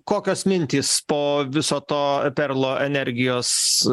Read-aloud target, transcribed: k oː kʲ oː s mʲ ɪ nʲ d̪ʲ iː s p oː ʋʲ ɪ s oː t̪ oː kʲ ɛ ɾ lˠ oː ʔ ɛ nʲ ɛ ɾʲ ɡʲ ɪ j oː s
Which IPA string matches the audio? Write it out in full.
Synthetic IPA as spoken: k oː kʲ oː s mʲ ɪ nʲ t̪ʲ iː s p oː ʋʲ ɪ s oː t̪ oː pʲ ɛ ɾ lˠ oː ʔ ɛ nʲ ɛ ɾʲ ɡʲ ɪ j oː s